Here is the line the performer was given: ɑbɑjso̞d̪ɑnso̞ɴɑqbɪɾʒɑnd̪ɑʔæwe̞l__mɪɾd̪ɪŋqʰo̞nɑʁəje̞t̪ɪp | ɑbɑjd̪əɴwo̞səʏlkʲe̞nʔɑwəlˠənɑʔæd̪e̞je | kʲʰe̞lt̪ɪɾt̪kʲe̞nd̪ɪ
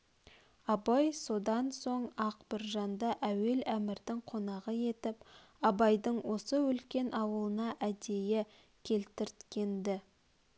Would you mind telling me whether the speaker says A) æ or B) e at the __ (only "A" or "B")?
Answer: A